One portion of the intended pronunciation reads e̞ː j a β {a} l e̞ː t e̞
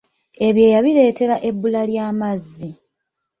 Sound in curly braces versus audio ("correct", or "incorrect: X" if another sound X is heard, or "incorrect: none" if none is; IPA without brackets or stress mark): incorrect: i